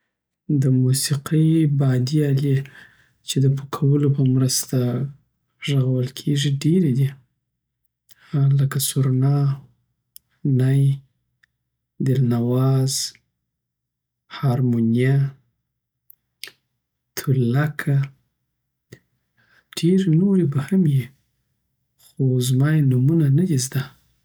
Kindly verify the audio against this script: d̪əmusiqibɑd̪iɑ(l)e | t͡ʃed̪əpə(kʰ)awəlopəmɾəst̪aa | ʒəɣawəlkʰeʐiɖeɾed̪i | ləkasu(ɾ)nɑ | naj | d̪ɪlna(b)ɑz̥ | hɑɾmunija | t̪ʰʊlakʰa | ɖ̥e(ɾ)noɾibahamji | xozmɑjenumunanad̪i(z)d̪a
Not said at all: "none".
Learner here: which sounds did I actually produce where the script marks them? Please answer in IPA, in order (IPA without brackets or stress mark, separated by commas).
l, kʰ, ɾ, w, ɾ, z